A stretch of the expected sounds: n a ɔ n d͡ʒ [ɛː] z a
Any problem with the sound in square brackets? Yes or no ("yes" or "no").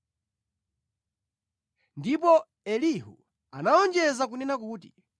yes